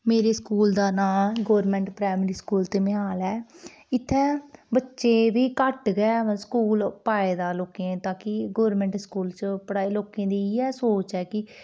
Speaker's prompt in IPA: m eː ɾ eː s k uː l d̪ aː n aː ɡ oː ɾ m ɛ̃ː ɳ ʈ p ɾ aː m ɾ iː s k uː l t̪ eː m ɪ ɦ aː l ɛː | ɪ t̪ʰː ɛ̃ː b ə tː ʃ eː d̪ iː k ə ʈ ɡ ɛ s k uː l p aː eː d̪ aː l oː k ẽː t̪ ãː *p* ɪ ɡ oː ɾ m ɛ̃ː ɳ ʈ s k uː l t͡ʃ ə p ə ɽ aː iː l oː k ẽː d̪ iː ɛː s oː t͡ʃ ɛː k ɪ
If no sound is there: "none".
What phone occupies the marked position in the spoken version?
k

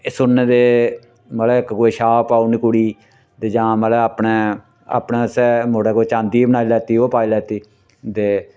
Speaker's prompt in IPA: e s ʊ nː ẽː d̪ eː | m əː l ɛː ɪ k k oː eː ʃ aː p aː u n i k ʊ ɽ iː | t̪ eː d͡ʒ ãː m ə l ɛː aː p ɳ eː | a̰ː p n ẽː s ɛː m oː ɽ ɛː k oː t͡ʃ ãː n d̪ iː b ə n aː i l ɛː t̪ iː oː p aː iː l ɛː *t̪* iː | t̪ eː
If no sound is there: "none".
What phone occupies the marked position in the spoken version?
t̪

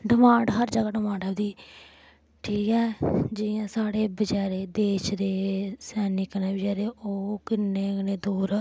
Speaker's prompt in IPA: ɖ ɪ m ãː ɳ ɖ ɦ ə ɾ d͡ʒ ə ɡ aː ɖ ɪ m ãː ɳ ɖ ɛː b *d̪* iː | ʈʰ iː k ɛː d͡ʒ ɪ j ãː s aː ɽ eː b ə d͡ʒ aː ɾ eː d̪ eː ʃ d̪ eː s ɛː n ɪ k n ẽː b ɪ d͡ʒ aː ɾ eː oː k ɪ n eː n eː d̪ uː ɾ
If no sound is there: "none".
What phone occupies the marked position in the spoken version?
d̪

